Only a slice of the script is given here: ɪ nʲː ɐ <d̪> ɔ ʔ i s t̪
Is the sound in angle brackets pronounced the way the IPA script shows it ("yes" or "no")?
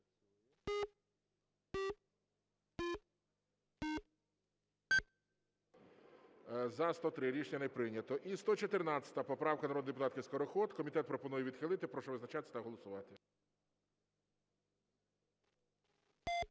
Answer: no